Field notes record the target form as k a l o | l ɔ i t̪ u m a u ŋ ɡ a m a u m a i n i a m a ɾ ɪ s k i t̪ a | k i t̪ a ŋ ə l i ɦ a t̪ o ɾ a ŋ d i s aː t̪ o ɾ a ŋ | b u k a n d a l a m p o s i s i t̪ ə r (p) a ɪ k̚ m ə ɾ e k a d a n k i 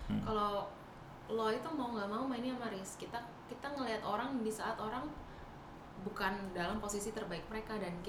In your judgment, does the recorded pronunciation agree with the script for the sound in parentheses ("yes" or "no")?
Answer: no